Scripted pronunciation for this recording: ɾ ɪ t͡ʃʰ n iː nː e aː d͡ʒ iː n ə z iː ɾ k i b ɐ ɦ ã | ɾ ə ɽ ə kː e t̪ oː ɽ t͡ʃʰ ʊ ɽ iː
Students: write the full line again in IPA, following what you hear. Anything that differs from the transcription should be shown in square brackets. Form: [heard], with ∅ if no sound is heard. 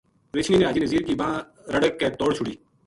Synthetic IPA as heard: ɾ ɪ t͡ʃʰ n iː [n] e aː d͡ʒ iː n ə z iː ɾ k i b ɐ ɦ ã | ɾ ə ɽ ə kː e t̪ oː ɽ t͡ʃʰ ʊ ɽ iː